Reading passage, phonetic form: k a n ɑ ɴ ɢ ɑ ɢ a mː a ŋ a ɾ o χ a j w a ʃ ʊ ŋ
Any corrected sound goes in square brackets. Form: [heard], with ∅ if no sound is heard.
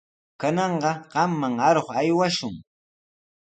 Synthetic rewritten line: k a n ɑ ɴ ɢ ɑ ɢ [ɑ] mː a ŋ a ɾ o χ a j w a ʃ ʊ ŋ